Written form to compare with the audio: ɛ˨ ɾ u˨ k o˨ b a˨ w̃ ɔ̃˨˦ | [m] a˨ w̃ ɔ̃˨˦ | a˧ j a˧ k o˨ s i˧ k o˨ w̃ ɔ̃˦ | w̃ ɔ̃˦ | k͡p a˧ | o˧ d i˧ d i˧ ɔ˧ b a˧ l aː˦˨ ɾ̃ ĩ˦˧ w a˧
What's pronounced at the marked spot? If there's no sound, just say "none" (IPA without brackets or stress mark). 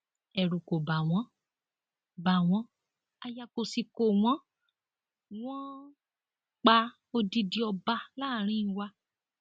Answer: b